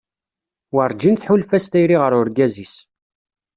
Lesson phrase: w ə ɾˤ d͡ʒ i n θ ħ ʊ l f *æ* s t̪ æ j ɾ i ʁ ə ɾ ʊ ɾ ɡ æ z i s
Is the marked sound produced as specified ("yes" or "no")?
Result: yes